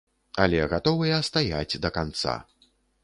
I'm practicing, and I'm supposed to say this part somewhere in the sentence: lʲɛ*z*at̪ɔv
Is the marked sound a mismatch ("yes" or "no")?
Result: yes